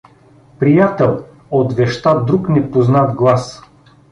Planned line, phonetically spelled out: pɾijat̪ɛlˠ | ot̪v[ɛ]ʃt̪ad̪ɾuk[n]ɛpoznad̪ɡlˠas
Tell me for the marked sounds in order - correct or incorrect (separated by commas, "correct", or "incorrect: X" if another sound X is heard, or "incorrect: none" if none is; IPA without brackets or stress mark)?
correct, correct